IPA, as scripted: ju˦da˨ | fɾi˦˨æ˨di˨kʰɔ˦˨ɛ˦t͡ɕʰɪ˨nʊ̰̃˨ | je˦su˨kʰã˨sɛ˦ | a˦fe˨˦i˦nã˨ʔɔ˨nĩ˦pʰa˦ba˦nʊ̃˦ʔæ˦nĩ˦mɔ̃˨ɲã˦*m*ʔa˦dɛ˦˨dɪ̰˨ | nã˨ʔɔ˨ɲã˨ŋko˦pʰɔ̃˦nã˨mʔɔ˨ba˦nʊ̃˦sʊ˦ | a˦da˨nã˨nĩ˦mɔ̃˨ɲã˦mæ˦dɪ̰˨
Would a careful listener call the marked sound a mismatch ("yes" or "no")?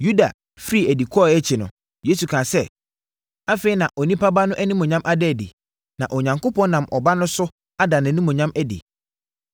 no